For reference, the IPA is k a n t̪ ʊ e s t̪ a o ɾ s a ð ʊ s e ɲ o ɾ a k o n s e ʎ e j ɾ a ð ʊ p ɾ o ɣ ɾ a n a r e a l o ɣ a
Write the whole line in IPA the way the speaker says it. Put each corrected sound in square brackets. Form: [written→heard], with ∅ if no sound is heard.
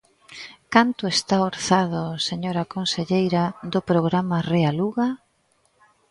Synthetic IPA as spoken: k a n t̪ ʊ e s t̪ a o ɾ [s→θ] a ð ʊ s e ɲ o ɾ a k o n s e ʎ e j ɾ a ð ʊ p ɾ o ɣ ɾ a [n→m] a r e a l [o→u] ɣ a